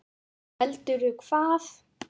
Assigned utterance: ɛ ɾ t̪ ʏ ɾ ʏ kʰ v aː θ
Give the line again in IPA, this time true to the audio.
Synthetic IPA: ɛ l t̪ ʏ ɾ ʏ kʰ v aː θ